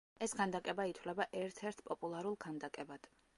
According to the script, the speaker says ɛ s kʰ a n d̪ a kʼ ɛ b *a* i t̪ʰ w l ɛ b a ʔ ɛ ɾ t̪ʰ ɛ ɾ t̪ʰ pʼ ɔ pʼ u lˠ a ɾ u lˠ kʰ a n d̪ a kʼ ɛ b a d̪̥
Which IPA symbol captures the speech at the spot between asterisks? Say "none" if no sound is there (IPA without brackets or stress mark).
a